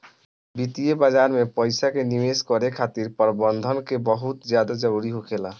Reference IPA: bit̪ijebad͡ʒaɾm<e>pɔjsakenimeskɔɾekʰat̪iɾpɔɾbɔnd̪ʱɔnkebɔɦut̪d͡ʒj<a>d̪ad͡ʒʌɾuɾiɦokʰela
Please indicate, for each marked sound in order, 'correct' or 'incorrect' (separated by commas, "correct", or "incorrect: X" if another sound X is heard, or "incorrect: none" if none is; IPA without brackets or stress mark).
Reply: correct, correct